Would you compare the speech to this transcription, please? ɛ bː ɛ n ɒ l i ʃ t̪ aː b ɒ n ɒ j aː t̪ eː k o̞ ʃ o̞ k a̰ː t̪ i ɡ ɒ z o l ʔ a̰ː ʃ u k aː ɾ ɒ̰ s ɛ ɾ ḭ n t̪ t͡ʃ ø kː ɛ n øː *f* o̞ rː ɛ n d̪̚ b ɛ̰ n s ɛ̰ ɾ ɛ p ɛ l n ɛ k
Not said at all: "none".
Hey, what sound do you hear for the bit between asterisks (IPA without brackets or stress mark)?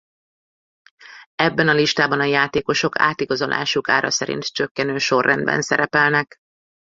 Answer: ʃ